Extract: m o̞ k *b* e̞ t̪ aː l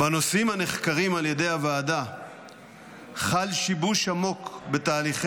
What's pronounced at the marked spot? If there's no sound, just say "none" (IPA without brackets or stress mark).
b